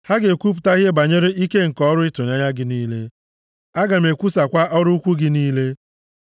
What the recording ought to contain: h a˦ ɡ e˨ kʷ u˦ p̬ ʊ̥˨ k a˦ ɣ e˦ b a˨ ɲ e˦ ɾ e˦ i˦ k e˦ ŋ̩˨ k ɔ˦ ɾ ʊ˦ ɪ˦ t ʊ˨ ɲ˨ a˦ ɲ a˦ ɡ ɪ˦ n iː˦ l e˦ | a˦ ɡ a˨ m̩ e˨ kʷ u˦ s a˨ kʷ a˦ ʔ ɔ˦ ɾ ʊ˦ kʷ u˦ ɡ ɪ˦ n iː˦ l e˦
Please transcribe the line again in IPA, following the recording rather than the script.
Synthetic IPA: h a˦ ɡ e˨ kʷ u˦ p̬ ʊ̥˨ t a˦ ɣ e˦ b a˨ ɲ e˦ ɾ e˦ i˦ k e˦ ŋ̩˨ k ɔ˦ ɾ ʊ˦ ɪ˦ t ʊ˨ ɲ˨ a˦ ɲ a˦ ɡ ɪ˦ n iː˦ l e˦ | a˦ ɡ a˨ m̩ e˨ kʷ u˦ s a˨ kʷ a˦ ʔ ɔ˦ ɾ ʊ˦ kʷ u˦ ɡ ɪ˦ n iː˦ l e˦